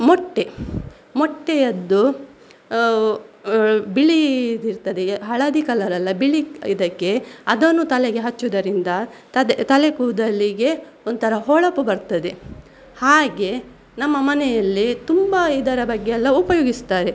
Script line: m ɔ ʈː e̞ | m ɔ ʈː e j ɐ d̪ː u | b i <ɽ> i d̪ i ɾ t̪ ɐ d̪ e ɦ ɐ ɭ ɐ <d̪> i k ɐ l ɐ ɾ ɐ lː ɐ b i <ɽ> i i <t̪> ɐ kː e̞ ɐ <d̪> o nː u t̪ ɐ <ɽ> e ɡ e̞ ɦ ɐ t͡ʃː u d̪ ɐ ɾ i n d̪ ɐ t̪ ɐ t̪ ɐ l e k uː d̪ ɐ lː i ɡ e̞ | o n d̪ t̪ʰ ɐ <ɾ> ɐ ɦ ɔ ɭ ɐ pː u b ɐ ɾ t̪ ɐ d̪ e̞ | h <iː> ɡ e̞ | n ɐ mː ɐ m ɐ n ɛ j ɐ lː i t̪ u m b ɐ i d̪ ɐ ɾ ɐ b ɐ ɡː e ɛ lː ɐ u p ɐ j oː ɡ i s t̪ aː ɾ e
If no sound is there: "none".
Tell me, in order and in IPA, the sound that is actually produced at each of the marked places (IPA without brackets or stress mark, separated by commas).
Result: ɭ, d̪, ɭ, d̪, d̪, l, ɾ, aː